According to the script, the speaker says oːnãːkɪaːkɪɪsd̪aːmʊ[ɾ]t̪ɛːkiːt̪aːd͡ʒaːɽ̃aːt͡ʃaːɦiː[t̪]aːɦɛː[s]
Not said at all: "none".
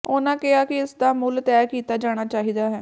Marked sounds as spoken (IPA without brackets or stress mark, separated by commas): l, d̪, none